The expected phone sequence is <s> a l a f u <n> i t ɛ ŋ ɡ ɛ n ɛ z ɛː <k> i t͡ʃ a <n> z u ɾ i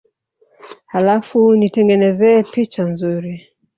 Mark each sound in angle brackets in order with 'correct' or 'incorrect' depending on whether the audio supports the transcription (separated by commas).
incorrect, correct, incorrect, correct